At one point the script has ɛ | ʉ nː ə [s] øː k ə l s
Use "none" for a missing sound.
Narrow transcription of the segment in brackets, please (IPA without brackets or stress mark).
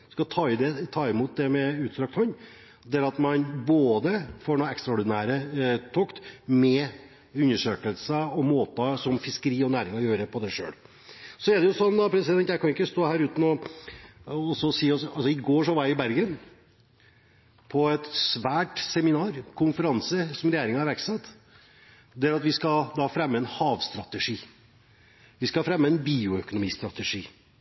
ʂ